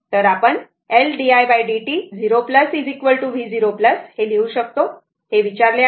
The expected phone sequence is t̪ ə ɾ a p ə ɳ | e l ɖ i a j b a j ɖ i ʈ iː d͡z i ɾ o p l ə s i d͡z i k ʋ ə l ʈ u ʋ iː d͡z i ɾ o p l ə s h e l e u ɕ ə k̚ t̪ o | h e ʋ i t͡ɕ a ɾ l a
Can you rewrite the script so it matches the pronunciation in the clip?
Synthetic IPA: t̪ ə ɾ a p ə ɳ | e l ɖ i a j b a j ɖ i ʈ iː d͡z i ɾ o p l ə s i d͡z i k ʋ ə l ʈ u ʋ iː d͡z i ɾ o p l ə s h e l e u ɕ ə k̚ t̪ o | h e ʋ i t͡ɕ a ɾ l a